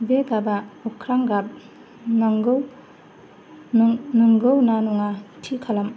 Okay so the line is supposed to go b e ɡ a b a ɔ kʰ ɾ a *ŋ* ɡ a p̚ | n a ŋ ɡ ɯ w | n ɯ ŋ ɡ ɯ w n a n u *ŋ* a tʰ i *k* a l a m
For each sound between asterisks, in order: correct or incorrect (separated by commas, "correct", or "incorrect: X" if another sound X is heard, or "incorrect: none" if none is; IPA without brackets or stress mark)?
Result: correct, correct, incorrect: kʰ